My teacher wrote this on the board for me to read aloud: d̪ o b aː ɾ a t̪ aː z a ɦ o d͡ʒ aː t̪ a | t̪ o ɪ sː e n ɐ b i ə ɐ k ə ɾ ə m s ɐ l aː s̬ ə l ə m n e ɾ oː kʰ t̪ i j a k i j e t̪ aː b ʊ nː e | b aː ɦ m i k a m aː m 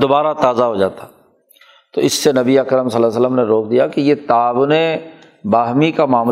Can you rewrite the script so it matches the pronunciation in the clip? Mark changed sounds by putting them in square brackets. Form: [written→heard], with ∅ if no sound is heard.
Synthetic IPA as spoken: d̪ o b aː ɾ a t̪ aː z a ɦ o d͡ʒ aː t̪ a | t̪ o ɪ sː e n ɐ b i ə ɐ k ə ɾ ə m s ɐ l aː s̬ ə l ə m n e ɾ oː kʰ [t̪→d̪] i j a k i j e t̪ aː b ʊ [nː→n] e | b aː ɦ m i k a m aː m